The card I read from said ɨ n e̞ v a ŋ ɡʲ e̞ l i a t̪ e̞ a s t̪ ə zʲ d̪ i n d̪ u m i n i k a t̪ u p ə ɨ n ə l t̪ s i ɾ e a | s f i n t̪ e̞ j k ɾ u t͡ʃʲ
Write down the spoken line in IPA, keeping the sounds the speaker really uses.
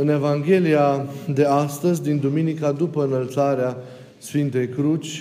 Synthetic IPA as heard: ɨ n e̞ v a ŋ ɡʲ e̞ l i a d̪ e̞ a s t̪ ə zʲ d̪ i n d̪ u m i n i k a d̪ u p ə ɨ n ə l t̪ s a ɾ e a | s f i n t̪ e̞ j k ɾ u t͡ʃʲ